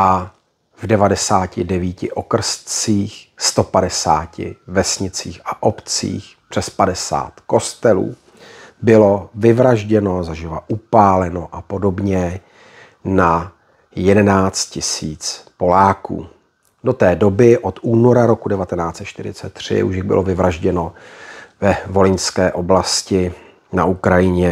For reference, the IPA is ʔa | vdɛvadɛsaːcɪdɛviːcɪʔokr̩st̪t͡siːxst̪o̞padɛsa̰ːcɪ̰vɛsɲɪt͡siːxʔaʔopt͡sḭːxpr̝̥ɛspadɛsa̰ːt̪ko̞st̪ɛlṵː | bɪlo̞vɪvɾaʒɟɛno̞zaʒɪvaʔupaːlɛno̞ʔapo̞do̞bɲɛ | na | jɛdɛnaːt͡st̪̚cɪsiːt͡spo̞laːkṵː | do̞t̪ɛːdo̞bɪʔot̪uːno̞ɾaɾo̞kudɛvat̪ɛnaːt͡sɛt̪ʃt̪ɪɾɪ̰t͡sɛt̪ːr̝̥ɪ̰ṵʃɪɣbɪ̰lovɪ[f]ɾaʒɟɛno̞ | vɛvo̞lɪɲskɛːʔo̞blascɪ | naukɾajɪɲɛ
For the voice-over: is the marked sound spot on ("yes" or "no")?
no